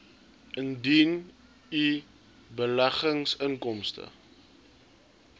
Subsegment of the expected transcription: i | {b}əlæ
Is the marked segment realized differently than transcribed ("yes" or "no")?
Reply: no